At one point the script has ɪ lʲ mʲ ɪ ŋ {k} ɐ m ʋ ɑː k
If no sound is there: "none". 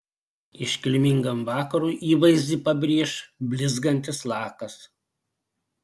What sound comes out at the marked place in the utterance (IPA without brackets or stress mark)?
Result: ɡ